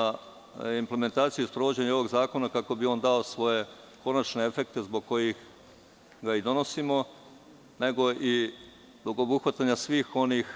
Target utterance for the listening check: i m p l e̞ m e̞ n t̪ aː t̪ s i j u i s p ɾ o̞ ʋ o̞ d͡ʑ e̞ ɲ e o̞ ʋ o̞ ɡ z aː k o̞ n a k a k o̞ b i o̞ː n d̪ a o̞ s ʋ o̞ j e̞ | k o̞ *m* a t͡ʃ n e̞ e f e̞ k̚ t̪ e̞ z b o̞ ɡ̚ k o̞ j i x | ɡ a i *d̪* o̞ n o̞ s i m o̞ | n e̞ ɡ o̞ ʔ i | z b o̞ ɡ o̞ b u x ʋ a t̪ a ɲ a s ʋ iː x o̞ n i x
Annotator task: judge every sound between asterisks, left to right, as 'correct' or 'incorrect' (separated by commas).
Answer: incorrect, correct